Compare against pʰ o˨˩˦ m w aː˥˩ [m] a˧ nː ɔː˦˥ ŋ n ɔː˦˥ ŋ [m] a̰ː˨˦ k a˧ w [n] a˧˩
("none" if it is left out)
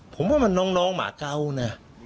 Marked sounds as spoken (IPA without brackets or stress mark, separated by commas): m, m, n